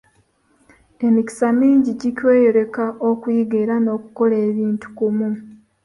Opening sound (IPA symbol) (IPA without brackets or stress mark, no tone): e̞